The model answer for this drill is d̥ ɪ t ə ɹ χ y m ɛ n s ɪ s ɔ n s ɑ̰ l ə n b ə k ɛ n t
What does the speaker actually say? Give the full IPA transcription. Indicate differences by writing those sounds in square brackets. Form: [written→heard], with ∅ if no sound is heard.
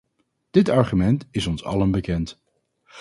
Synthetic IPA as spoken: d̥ ɪ t [ə→ɑ] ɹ χ y m ɛ n [s→t] ɪ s ɔ n s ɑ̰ l ə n b ə k ɛ n t